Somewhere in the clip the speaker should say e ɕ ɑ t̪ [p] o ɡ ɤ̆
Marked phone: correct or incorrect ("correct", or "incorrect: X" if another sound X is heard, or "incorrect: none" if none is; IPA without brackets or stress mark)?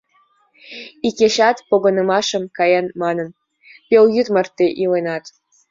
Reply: correct